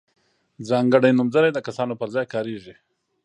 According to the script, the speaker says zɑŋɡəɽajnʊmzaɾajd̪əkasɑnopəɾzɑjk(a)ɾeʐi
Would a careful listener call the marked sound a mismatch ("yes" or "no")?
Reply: yes